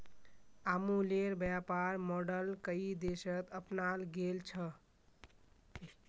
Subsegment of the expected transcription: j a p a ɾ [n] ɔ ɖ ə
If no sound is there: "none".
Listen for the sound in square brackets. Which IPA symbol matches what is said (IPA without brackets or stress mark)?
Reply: m